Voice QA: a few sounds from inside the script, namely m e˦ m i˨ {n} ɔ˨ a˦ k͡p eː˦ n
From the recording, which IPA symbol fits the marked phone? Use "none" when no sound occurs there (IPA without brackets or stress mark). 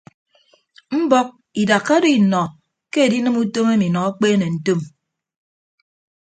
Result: n